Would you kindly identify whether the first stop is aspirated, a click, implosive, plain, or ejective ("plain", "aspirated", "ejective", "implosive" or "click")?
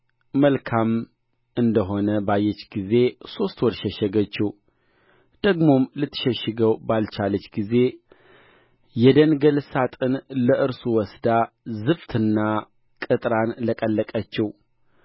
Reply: aspirated